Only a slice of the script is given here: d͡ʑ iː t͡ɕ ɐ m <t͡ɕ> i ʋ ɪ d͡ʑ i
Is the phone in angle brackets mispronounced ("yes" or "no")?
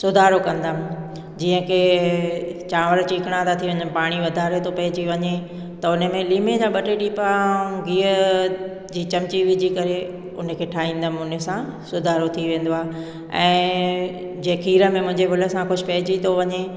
no